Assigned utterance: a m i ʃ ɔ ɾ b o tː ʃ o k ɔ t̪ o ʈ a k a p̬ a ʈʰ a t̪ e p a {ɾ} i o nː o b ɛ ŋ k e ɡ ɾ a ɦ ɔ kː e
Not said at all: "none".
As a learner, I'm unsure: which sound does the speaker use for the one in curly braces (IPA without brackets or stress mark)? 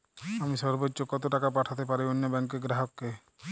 ɾ